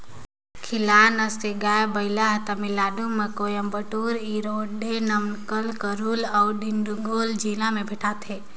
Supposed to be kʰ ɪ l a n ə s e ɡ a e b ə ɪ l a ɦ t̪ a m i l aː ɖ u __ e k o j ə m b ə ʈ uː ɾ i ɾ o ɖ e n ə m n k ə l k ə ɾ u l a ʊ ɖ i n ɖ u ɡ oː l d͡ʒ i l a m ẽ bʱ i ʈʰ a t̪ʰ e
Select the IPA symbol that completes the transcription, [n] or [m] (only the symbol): m